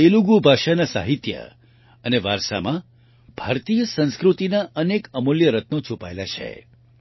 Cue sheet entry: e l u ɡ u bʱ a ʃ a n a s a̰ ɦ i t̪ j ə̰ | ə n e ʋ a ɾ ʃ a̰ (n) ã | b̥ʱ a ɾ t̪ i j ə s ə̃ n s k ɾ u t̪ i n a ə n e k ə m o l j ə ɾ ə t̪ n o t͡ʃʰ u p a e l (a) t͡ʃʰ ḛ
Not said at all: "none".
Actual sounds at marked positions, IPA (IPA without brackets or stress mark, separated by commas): m, a